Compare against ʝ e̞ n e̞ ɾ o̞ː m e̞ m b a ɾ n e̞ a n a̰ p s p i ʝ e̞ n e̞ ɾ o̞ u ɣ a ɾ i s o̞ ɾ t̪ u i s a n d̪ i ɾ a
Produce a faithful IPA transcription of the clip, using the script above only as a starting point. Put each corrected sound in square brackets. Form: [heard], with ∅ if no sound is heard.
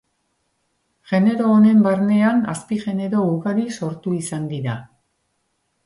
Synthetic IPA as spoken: ʝ e̞ n e̞ ɾ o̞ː [n] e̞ m b a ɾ n e̞ a n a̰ [∅] s p i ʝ e̞ n e̞ ɾ o̞ u ɣ a ɾ i s o̞ ɾ t̪ u i s a n d̪ i ɾ a